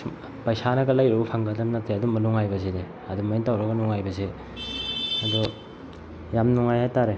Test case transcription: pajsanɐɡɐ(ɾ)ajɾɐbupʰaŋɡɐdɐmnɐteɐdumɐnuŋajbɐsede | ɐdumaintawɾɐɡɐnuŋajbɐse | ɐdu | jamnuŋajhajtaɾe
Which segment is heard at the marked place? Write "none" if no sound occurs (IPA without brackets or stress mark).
l